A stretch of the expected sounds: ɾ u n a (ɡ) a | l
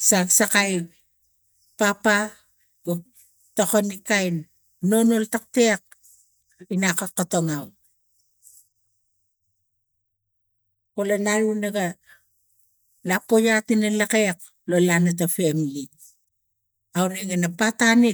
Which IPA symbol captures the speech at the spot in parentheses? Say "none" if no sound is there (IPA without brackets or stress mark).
ɡ